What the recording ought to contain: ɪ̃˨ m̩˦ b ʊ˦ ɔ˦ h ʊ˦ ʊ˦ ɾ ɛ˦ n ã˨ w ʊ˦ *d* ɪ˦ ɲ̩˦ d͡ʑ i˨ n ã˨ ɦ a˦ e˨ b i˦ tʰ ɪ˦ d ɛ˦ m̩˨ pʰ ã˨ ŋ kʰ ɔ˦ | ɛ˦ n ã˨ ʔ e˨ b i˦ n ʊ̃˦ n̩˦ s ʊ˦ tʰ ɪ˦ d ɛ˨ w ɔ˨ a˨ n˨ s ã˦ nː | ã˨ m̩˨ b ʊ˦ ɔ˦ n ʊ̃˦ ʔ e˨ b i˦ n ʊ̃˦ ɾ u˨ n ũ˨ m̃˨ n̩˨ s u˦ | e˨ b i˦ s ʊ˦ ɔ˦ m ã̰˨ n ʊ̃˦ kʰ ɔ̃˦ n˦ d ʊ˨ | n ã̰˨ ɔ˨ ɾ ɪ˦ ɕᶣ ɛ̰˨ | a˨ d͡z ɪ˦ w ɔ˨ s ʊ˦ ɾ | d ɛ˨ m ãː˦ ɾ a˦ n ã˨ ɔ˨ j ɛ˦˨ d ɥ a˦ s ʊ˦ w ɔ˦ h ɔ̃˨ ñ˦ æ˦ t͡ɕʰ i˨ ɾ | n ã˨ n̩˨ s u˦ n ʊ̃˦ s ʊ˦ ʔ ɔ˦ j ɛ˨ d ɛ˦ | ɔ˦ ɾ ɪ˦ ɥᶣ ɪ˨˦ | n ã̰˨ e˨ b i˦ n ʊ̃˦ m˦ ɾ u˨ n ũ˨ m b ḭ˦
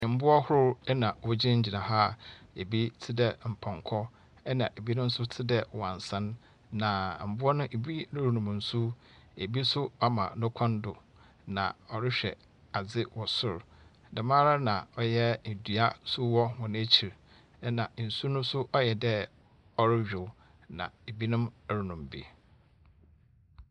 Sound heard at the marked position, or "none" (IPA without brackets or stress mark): d͡ʑ